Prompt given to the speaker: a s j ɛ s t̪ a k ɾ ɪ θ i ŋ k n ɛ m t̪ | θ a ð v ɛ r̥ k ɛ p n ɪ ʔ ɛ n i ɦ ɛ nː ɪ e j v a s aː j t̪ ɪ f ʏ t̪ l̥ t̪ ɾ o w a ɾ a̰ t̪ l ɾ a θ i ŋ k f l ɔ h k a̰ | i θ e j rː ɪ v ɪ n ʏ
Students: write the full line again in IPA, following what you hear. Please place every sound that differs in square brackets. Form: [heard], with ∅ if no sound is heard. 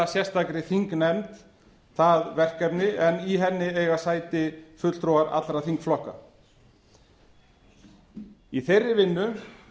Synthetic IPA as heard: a s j ɛ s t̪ a k ɾ ɪ θ i ŋ k n ɛ m t̪ | θ a ð v ɛ r̥ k ɛ p n ɪ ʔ ɛ n i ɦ ɛ nː ɪ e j [ɣ] a s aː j t̪ ɪ f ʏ t̪ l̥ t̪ ɾ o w a ɾ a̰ t̪ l ɾ a θ i ŋ k f l ɔ h k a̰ | i θ e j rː ɪ v ɪ [nː] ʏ